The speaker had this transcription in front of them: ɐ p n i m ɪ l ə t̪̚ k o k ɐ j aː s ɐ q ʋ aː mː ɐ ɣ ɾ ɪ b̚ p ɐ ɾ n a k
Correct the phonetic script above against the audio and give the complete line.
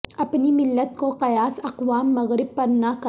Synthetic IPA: ɐ p n i m ɪ lː ə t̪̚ k o q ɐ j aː s ɐ q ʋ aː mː ɐ ɣ ɾ ɪ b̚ p ɐ ɾ n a k